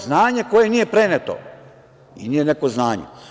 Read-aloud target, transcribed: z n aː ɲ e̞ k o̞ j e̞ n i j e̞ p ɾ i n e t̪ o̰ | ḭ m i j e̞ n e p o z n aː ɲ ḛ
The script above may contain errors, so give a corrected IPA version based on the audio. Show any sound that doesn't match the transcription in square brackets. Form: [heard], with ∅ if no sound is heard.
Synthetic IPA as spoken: z n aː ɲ e̞ k o̞ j e̞ n i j e̞ p ɾ [e] n e t̪ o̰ | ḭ [n] i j e̞ n e [k] o z n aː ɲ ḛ